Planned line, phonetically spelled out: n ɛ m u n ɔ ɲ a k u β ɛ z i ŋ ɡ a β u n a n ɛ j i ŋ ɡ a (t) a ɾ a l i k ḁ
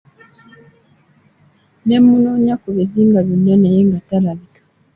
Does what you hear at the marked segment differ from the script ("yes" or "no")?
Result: no